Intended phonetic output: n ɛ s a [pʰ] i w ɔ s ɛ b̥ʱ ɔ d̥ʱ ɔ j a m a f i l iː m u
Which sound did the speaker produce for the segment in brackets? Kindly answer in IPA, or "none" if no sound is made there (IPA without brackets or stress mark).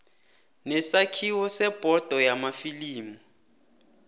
kʰ